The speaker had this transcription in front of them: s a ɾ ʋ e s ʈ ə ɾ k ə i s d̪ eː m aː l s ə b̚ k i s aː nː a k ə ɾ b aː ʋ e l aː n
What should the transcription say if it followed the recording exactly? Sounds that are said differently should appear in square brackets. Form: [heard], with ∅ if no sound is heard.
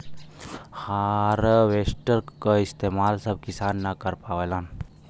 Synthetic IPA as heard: [h] a ɾ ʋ e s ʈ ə ɾ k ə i s [t̪] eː m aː l s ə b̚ k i s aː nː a k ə ɾ [p] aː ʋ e l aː n